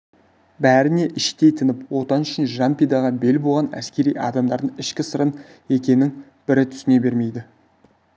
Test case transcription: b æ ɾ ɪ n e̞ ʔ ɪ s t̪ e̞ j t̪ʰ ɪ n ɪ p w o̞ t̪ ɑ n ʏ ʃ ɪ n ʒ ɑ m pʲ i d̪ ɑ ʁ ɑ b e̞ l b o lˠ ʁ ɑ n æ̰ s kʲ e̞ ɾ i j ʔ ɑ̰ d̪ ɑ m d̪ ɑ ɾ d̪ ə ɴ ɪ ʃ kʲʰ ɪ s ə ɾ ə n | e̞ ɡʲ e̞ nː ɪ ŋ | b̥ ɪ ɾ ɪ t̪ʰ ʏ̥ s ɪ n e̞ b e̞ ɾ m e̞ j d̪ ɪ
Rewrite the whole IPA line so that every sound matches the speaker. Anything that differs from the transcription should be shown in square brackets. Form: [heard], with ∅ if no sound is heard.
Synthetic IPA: b æ ɾ ɪ n e̞ ʔ ɪ [ʃ] t̪ e̞ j t̪ʰ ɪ n ɪ p w o̞ t̪ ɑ n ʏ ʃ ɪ n ʒ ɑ m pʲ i d̪ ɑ ʁ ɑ b e̞ l b o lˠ ʁ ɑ n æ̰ s kʲ e̞ ɾ i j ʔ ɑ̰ d̪ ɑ m d̪ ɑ ɾ d̪ ə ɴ ɪ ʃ [kʲ] ɪ s ə ɾ ə n | e̞ [kʲ] e̞ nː ɪ ŋ | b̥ ɪ ɾ ɪ t̪ʰ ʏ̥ s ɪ n e̞ b e̞ ɾ m e̞ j d̪ ɪ